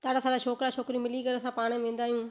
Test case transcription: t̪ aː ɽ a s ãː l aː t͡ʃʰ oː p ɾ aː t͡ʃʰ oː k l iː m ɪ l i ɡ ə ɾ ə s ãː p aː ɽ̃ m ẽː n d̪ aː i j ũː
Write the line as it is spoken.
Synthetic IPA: t̪ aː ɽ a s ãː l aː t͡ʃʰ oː k ɾ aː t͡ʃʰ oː k ɾ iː m ɪ l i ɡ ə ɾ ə s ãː p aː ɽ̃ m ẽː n d̪ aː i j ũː